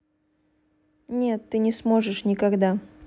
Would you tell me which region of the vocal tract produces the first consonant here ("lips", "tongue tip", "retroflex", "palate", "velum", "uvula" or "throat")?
tongue tip